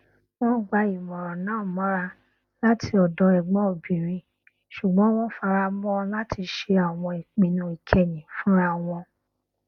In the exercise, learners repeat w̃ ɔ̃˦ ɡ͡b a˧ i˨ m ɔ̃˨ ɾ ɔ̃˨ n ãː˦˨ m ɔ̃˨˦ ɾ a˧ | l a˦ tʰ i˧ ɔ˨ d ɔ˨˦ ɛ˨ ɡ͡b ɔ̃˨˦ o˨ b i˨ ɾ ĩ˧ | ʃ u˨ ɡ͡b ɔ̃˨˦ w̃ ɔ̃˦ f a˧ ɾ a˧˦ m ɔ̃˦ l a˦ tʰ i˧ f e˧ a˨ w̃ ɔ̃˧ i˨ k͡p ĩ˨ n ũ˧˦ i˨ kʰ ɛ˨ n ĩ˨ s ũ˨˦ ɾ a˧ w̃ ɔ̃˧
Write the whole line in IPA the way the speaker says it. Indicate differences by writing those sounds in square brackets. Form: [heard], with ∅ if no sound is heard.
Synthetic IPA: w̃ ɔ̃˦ ɡ͡b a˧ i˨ m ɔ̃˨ ɾ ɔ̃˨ n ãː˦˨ m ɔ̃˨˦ ɾ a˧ | l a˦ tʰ i˧ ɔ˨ d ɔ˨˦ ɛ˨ ɡ͡b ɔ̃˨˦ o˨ b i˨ ɾ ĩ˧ | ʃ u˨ ɡ͡b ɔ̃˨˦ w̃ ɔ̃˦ f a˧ ɾ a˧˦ m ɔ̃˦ l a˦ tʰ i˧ [ʃ] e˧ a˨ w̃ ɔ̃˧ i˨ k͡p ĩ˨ n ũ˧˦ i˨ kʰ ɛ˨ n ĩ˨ [f] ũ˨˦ ɾ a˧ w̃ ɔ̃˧